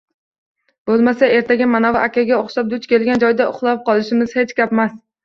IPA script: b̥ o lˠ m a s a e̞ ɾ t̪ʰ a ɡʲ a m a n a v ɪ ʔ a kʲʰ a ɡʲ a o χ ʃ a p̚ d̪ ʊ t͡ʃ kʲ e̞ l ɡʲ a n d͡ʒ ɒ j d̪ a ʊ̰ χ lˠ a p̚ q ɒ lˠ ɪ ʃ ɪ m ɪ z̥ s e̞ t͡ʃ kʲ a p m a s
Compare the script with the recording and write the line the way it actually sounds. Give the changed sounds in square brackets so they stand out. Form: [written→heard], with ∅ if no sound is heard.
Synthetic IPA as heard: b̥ o lˠ m a s a e̞ ɾ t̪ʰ a ɡʲ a m a n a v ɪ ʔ a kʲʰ a ɡʲ a o χ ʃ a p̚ d̪ ʊ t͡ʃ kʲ e̞ l ɡʲ a n d͡ʒ ɒ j d̪ a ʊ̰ χ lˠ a p̚ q ɒ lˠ ɪ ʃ ɪ m ɪ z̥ [s→h] e̞ t͡ʃ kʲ a p m a s